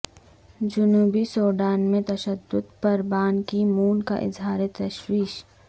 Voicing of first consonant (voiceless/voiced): voiced